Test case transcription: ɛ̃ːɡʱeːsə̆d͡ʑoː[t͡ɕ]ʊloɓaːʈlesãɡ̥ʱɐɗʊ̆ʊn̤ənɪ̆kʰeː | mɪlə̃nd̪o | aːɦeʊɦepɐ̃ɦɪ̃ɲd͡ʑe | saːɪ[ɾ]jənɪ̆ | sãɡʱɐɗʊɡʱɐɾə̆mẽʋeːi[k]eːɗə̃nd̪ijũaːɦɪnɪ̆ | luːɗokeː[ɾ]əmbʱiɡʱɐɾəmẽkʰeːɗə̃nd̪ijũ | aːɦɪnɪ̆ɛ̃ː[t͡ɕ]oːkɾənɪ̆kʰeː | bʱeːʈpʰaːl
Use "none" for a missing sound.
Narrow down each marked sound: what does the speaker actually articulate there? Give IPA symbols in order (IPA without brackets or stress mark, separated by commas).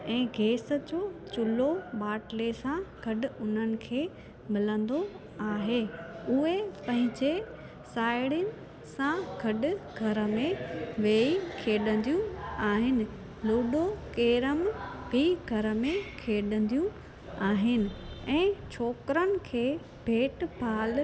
t͡ɕ, ɽ, kʰ, ɾ, t͡ɕʰ